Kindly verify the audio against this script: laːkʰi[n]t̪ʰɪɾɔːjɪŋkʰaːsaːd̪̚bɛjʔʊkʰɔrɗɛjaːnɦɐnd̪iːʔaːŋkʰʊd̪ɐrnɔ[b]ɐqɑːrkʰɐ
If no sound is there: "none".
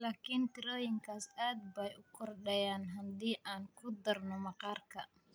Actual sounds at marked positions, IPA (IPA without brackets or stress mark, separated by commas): n, m